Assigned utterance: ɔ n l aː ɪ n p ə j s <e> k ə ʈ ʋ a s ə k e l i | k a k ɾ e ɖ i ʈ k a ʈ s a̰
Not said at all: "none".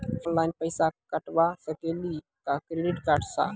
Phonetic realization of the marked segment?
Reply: a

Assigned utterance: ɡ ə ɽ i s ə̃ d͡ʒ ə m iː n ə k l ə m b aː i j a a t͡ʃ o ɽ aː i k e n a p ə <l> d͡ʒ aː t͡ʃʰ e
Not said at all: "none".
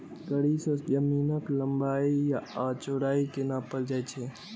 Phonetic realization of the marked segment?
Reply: l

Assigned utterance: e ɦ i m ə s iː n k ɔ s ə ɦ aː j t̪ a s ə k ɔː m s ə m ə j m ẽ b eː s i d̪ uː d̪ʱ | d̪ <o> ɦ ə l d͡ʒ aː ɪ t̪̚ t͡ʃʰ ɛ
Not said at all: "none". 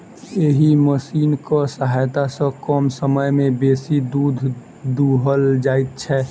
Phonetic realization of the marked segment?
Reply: u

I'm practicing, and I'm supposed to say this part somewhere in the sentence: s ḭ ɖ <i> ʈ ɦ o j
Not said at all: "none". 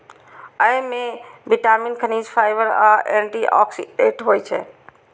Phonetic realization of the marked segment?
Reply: e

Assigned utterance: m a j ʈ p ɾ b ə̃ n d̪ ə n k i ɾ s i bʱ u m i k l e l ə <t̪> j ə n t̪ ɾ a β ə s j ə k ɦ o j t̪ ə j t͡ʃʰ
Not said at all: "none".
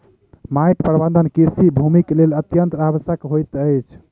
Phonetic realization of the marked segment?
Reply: t̪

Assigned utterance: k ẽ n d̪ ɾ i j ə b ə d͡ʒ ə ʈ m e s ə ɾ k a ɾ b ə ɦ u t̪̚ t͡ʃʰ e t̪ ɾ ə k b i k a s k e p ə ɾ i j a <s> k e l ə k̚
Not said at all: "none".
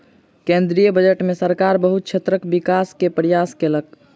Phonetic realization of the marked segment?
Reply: s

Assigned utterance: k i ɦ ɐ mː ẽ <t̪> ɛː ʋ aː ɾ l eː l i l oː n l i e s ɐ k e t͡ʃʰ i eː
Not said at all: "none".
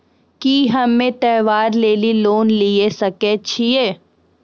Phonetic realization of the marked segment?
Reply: t̪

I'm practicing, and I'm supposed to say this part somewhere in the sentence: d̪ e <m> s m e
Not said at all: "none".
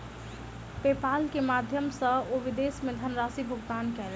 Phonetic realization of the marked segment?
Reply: none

